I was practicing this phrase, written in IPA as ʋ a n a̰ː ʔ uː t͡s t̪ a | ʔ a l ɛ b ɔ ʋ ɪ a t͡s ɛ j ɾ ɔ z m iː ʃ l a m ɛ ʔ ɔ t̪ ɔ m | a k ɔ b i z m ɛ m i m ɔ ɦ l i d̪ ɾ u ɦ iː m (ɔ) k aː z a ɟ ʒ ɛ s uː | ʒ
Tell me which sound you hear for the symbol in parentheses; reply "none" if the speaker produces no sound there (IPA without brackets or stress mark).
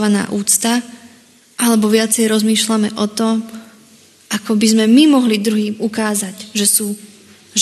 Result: u